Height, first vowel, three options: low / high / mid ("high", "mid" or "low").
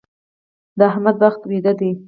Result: mid